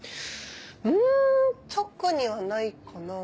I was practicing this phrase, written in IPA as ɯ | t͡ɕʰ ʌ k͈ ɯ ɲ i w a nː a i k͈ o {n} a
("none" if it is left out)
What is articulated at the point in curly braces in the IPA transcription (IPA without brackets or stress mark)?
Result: n